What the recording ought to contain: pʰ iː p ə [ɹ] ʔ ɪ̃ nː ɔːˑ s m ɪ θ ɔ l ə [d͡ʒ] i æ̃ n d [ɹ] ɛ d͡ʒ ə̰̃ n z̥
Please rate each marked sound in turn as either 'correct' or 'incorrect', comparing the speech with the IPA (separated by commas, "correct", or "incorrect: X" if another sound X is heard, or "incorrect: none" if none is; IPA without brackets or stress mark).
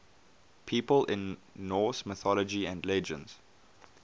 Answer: incorrect: l, correct, incorrect: l